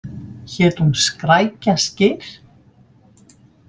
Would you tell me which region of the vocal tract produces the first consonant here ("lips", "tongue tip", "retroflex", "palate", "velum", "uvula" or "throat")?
palate